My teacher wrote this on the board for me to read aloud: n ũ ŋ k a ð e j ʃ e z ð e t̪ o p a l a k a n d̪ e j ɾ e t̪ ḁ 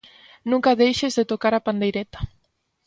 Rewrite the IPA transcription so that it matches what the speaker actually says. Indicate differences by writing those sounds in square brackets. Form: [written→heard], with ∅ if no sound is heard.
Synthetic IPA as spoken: n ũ ŋ k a ð e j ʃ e z ð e t̪ o [p→k] a [l→ɾ] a [k→p] a n d̪ e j ɾ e t̪ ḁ